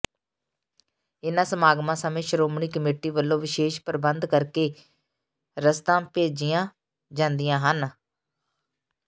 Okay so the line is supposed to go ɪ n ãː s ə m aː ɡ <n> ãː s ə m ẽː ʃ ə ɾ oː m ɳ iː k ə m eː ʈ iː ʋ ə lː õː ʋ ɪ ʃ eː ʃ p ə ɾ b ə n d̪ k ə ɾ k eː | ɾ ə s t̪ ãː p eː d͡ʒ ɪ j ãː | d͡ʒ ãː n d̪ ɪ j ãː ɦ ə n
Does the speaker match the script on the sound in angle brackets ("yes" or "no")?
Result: no